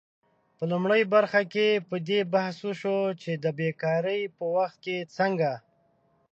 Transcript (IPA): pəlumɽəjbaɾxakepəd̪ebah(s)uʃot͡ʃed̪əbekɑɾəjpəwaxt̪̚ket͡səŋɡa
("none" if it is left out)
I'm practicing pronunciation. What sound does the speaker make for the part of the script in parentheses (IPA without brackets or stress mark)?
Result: s